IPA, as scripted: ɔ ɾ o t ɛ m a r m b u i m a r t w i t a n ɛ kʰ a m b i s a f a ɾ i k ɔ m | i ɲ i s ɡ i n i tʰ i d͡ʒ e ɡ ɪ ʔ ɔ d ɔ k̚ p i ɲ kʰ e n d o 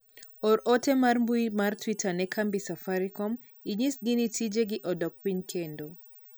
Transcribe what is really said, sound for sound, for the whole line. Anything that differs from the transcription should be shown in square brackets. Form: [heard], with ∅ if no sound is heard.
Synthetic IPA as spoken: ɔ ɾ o t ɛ m a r m b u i m a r t w i t a n ɛ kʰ a m b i s a f a ɾ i k ɔ m | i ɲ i s ɡ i n i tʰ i d͡ʒ e ɡ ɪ ʔ ɔ d ɔ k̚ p i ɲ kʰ e n d o